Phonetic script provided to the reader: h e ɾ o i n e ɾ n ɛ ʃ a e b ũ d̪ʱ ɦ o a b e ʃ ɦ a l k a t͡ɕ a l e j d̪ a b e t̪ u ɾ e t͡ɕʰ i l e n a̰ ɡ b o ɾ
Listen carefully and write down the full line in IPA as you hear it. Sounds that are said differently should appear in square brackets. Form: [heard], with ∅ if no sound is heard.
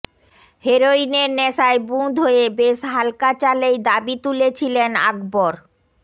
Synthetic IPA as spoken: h e ɾ o i n e ɾ n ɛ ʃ a e b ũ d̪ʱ ɦ o [e] b e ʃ ɦ a l k a t͡ɕ a l e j d̪ a b [i] t̪ u [l] e t͡ɕʰ i l e n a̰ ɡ b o ɾ